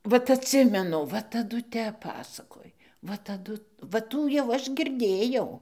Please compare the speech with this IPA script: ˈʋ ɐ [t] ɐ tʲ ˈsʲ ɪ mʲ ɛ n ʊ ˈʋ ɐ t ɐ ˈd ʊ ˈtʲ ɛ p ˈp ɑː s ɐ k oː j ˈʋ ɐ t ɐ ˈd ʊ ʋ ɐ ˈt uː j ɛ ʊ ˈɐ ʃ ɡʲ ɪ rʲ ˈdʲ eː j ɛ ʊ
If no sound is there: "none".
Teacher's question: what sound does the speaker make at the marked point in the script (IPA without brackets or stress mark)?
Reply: t